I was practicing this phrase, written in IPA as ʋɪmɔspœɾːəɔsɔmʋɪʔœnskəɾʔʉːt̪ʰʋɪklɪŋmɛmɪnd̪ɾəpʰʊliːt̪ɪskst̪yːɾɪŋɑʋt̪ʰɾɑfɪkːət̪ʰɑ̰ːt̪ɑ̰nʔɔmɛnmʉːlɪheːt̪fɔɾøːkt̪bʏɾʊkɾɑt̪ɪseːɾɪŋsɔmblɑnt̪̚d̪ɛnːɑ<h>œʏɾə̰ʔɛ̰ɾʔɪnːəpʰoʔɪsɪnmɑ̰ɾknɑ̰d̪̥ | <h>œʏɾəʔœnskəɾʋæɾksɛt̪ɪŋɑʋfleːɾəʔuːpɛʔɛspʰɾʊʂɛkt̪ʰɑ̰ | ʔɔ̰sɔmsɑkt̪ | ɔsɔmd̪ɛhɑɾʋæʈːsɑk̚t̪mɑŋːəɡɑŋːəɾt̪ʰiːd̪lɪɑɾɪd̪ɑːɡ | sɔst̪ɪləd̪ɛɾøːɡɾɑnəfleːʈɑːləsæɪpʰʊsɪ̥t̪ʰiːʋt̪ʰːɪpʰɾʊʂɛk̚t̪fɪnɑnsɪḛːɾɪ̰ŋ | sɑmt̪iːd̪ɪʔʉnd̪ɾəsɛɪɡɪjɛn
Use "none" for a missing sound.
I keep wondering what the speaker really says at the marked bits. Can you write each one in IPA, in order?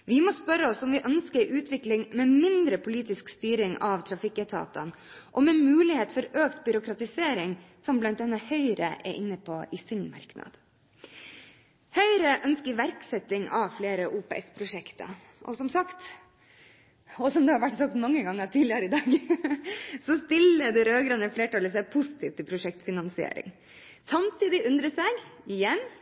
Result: h, h

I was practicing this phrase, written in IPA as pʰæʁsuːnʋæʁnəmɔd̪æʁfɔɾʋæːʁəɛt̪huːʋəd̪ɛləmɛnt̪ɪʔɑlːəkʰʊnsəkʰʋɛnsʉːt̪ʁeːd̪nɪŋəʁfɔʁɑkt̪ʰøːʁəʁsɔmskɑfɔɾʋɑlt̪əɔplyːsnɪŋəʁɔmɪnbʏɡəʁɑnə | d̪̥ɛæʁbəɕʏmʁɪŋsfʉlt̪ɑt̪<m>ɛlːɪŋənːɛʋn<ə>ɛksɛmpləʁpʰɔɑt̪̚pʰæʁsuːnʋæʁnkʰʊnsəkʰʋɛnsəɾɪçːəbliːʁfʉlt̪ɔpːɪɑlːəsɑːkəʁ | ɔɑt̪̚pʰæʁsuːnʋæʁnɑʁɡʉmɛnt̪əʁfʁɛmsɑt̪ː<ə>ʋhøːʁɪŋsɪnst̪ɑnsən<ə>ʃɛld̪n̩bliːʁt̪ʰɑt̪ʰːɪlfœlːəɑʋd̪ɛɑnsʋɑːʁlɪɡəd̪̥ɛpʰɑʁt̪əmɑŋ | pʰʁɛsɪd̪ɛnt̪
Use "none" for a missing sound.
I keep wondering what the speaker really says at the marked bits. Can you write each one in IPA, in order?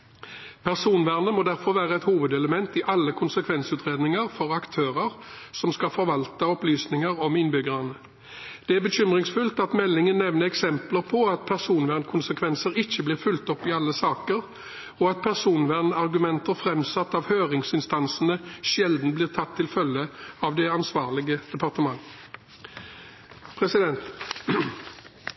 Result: m, ə, ɑ, ə

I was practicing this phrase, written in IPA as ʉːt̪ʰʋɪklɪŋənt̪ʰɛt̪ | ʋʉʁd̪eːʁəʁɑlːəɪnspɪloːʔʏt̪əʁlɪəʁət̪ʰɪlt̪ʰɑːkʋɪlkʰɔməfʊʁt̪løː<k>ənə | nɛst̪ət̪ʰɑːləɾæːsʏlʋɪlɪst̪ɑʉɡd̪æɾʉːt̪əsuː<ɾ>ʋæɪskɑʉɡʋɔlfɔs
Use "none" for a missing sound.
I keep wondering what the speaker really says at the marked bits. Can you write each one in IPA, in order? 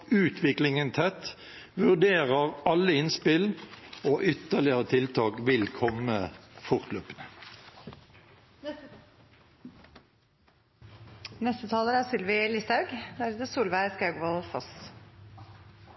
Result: p, l

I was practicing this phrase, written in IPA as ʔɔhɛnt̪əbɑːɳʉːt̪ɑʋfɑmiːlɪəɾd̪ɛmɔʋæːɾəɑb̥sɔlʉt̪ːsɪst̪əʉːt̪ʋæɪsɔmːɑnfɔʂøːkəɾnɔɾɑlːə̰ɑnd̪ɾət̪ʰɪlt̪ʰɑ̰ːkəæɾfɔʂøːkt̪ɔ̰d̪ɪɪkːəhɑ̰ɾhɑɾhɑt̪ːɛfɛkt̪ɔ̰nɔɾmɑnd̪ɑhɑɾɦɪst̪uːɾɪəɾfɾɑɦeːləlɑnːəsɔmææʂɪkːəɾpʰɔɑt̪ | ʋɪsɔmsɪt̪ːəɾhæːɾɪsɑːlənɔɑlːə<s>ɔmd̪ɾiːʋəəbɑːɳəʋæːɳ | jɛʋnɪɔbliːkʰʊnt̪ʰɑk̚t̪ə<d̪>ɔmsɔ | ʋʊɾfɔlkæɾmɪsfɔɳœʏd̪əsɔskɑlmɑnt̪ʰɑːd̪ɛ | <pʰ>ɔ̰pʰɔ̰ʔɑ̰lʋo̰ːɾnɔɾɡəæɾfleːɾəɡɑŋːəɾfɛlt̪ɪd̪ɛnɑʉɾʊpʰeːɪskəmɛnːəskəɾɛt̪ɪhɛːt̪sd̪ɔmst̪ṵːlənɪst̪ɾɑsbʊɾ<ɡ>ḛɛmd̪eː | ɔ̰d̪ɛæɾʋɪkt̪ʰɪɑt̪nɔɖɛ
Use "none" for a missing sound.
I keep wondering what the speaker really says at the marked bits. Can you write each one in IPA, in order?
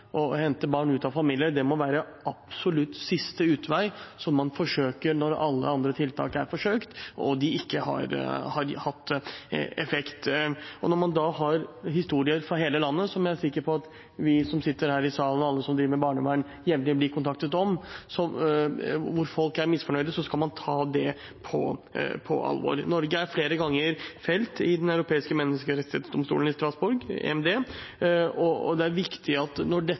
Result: s, t̪, pʰ, ɡ

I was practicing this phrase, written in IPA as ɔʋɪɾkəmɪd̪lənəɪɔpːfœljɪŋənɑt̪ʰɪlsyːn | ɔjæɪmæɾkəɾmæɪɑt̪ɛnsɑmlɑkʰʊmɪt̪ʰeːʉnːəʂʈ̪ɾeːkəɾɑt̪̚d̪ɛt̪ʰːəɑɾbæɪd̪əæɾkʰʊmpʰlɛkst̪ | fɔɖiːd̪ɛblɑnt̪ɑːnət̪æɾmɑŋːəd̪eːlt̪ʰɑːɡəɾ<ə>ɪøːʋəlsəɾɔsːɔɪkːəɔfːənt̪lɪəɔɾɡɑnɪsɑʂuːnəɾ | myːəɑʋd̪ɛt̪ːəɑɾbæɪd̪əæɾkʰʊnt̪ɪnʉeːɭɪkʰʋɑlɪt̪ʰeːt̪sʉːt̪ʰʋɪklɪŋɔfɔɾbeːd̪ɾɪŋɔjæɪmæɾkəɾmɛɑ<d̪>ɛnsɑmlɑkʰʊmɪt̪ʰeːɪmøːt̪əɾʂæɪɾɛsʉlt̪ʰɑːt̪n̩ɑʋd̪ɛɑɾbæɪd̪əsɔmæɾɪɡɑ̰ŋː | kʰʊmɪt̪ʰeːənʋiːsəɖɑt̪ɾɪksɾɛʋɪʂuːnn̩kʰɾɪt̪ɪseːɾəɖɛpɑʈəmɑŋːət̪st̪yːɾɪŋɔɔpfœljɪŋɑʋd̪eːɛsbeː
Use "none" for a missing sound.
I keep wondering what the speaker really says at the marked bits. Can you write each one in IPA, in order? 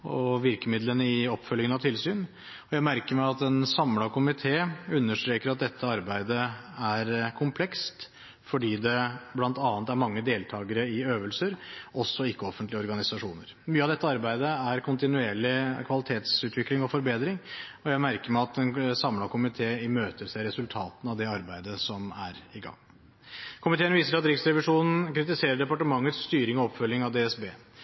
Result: ə, t̪

